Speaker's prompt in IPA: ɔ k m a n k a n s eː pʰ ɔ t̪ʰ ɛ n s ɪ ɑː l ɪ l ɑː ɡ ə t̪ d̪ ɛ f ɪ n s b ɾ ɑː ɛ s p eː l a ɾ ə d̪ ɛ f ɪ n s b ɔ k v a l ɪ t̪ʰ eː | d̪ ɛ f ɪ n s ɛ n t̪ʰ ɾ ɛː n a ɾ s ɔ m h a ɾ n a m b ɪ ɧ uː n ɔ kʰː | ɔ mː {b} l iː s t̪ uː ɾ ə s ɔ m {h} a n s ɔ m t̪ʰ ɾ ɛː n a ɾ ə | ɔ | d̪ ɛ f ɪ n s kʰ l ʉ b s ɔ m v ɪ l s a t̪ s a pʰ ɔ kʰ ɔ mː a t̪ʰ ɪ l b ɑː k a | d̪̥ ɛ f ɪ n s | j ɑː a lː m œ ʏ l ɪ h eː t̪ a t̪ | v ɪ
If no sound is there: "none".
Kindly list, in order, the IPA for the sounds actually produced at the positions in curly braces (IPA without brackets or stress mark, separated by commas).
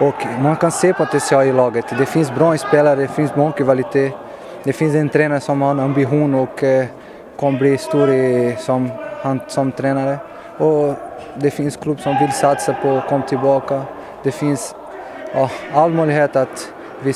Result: b, h